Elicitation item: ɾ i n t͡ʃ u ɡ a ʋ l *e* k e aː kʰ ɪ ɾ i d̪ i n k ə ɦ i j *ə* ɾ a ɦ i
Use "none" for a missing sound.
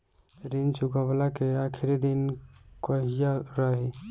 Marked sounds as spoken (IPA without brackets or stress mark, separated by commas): a, a